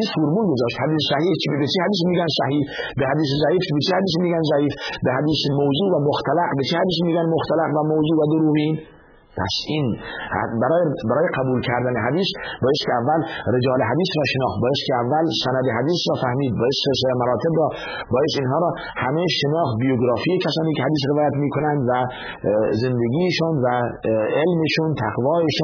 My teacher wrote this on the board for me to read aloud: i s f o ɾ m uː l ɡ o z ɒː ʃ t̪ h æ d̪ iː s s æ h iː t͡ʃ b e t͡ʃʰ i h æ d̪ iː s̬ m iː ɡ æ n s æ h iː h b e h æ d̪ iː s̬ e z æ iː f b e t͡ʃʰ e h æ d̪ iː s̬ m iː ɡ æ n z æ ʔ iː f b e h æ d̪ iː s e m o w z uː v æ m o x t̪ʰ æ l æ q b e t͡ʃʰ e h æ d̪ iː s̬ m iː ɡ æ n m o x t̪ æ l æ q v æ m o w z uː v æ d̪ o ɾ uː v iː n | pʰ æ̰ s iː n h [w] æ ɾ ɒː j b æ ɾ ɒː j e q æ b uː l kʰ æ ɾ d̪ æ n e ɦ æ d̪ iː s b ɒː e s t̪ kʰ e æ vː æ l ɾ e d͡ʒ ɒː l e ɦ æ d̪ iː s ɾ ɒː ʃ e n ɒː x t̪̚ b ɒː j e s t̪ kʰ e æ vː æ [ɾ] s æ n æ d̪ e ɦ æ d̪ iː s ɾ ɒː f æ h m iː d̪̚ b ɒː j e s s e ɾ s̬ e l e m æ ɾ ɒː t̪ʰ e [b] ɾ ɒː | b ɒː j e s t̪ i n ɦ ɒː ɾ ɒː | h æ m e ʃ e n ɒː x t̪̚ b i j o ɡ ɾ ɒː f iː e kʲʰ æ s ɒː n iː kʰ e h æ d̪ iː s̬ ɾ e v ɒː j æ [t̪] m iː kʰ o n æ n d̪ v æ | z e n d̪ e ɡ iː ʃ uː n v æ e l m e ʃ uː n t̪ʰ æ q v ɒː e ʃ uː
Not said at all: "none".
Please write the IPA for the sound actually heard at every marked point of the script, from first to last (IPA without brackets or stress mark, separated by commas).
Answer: b, l, b, t̪